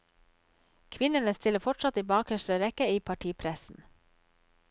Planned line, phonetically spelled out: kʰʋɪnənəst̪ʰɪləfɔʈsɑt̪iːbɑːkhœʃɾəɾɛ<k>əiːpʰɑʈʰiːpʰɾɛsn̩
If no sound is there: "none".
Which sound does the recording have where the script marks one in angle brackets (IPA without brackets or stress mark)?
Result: k